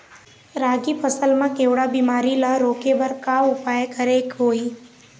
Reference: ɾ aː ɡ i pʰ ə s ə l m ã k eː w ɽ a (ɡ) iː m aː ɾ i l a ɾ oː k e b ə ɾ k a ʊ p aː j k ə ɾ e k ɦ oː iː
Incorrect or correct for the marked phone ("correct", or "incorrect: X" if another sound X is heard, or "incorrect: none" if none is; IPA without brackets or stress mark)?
incorrect: b